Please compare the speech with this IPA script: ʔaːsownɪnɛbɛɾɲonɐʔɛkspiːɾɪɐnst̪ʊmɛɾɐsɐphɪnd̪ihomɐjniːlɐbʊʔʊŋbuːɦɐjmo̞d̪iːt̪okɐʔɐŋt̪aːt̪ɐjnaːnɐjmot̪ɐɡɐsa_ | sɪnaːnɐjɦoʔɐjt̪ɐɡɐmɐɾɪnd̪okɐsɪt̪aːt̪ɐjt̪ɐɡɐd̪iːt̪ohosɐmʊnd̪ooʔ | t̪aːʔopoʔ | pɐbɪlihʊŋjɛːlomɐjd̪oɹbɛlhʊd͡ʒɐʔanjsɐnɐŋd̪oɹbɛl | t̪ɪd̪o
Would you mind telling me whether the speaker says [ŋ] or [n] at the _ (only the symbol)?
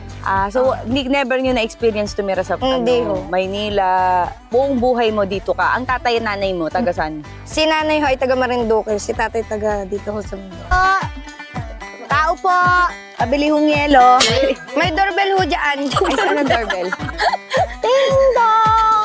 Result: n